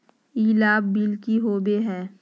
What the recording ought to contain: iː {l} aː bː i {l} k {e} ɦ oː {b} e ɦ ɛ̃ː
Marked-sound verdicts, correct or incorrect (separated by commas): correct, correct, incorrect, correct